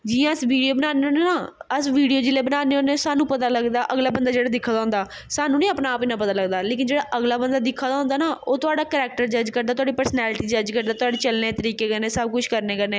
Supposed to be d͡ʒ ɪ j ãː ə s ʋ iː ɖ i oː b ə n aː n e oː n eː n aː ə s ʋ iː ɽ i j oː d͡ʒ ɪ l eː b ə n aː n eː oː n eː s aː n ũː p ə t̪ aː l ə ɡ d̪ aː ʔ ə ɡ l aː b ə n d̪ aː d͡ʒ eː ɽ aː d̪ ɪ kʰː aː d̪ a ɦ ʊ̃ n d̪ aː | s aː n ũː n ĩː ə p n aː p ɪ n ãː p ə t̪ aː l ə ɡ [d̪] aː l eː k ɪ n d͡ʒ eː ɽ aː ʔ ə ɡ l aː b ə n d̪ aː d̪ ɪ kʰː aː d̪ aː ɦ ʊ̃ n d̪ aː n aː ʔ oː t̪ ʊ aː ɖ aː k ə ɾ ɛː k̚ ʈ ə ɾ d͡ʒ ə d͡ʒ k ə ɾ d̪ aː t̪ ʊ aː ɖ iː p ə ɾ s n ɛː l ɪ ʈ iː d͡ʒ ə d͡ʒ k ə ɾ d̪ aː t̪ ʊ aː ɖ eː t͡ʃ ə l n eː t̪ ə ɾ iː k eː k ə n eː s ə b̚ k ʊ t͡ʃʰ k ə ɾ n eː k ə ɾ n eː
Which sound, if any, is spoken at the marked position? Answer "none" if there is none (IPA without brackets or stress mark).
d̪